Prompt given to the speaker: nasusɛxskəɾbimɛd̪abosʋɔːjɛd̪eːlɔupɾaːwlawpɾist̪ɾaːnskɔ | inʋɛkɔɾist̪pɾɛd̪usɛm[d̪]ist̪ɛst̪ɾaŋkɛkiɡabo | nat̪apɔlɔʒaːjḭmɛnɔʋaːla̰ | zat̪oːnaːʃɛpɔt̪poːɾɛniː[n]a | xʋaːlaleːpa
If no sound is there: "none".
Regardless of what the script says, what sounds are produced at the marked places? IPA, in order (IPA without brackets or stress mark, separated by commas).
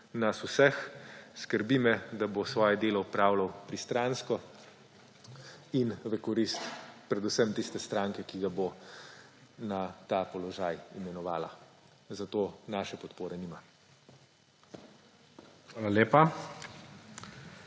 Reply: t̪, m